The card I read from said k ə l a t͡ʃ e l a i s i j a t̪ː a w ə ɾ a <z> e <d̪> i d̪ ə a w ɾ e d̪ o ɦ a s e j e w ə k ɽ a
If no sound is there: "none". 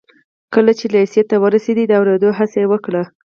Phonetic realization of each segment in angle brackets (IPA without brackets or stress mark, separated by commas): s, d̪